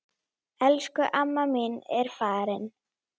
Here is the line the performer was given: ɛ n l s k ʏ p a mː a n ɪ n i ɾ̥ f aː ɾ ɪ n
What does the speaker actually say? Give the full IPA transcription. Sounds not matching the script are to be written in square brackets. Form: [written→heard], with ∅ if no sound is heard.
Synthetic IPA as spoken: ɛ [n→∅] l s k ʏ [p→ʔ] a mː a [n→m] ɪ n [i→ɛ] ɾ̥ f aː ɾ ɪ n